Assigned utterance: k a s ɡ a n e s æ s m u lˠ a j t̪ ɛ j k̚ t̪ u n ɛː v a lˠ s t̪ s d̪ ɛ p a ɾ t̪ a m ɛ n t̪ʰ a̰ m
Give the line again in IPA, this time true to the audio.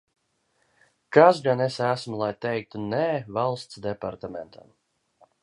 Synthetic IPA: k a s ɡ a n e s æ s m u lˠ a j t̪ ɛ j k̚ t̪ u n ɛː v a lˠ s t̪ s d̪ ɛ p a ɾ t̪ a m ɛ n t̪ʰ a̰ m

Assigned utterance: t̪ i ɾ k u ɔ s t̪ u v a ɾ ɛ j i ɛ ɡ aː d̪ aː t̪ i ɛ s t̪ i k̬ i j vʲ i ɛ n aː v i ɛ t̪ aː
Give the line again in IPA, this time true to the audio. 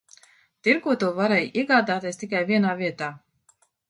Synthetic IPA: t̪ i ɾ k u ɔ t̪ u v a ɾ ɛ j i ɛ ɡ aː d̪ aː t̪ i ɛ s t̪ i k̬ a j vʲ i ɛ n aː v i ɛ t̪ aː

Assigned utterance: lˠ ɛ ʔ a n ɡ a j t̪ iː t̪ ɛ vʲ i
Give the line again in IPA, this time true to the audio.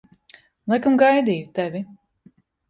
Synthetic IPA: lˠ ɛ k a m ɡ a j d̪ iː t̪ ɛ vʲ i

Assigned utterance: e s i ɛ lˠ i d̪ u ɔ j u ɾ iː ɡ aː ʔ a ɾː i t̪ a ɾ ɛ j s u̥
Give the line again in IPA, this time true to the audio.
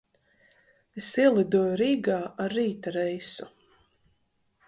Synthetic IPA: e s i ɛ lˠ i d̪ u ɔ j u ɾ iː ɡ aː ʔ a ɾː iː t̪ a ɾ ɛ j s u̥

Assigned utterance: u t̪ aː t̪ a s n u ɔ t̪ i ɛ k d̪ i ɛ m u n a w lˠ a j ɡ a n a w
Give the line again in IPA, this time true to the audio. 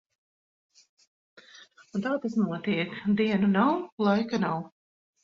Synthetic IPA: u t̪ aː t̪ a s n u ɔ t̪ i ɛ k d̪ i ɛ n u n a w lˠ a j k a n a w

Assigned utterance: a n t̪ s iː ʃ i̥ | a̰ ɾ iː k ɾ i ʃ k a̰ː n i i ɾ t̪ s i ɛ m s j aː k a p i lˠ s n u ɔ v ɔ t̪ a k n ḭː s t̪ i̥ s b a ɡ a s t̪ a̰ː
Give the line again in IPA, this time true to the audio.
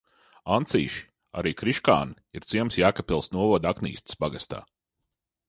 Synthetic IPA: a n t̪ s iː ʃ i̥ | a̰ ɾ iː k ɾ i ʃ k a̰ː n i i ɾ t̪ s i ɛ m s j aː k a p i lˠ s n u ɔ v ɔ d̪ a k n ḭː s t̪ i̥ s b a ɡ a s t̪ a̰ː

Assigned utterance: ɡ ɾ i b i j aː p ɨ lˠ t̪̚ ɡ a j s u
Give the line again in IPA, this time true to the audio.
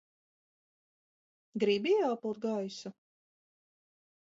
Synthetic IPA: ɡ ɾ i b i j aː p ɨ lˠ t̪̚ ɡ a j s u

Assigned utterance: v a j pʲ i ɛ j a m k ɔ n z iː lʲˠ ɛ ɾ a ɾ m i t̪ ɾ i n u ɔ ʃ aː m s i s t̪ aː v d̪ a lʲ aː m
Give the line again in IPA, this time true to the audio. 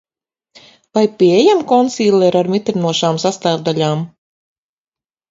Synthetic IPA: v a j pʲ i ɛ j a m k ɔ n s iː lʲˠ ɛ ɾ a ɾ m i t̪ ɾ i n u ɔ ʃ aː m s a s t̪ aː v d̪ a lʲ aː m

